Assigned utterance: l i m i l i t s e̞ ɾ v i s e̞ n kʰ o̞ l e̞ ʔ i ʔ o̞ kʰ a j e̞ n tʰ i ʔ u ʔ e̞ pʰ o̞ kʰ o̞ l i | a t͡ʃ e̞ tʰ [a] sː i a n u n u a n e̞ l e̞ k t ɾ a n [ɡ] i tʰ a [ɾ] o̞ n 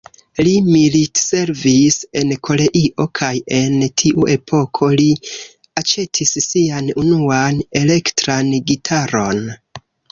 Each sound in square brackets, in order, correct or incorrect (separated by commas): incorrect, correct, correct